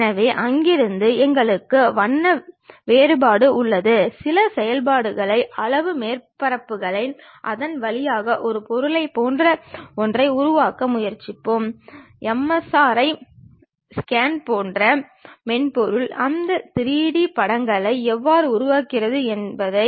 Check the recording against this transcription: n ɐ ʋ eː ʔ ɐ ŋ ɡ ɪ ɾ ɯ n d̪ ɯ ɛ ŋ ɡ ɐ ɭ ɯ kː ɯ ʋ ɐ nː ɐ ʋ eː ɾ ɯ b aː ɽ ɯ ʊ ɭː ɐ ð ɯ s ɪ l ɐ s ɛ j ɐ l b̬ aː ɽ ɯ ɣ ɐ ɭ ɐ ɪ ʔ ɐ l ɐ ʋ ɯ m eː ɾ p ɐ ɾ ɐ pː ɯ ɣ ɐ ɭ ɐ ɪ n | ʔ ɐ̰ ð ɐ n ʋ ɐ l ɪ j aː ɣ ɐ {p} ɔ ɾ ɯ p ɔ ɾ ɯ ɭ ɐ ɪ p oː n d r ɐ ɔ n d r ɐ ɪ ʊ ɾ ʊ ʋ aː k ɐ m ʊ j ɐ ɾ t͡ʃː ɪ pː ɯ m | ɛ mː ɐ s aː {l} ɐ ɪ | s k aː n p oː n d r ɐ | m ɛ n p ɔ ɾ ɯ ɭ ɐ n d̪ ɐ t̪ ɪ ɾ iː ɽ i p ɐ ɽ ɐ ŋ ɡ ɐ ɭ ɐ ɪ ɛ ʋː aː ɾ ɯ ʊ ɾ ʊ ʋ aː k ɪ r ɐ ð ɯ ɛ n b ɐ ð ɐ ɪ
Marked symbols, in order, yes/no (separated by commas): no, no